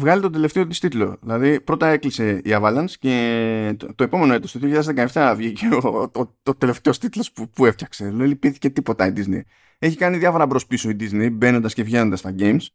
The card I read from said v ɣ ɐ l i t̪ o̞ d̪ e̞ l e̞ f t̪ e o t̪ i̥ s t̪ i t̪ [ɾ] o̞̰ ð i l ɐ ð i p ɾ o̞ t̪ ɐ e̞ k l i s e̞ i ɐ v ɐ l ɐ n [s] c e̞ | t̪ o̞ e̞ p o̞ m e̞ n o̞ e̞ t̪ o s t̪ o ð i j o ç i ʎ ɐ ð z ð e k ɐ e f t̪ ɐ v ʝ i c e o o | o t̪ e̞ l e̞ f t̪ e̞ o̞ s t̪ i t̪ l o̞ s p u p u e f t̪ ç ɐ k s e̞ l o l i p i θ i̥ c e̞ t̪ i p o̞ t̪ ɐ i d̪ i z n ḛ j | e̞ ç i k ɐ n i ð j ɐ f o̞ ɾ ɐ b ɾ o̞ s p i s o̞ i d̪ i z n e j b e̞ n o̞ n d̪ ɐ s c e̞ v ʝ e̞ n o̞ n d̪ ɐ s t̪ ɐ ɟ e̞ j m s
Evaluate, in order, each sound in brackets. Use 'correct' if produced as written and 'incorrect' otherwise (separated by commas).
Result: incorrect, correct